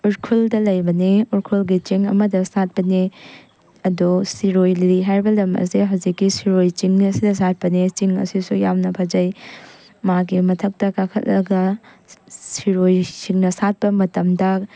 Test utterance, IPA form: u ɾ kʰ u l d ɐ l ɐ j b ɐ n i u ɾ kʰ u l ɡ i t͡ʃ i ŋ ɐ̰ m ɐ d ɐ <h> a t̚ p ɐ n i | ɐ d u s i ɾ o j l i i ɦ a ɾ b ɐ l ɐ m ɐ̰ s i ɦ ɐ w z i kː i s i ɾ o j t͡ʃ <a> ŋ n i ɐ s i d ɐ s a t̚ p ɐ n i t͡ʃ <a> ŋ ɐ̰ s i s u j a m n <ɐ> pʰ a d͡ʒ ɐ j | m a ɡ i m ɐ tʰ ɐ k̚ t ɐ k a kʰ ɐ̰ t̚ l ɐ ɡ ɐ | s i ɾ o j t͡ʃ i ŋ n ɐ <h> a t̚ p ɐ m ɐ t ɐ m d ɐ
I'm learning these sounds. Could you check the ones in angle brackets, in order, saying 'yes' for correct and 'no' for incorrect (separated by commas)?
no, no, no, yes, no